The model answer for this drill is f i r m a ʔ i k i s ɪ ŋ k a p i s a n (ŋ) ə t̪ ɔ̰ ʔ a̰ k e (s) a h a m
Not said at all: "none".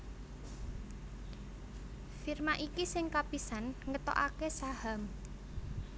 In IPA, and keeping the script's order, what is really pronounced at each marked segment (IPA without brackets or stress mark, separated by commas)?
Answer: ŋ, s